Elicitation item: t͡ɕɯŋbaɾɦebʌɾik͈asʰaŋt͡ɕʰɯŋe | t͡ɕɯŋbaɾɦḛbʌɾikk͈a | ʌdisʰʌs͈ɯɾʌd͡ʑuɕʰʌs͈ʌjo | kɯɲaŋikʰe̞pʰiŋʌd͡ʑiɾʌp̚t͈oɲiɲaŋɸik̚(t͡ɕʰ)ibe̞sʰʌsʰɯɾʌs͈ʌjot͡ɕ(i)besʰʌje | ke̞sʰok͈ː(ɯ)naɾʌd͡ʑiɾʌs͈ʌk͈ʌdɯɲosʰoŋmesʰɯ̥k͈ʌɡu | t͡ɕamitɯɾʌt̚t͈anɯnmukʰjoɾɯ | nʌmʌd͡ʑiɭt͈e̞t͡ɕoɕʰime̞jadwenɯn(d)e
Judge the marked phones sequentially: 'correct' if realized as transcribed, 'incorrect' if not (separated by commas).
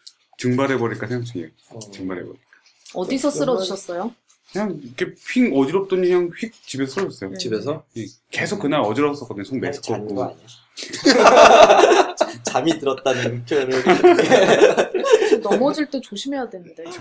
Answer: incorrect, correct, correct, correct